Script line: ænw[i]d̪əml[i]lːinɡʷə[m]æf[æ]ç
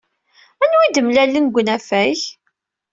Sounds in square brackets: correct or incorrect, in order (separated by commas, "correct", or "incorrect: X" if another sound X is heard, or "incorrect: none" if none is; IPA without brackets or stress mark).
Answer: correct, incorrect: æ, incorrect: n, correct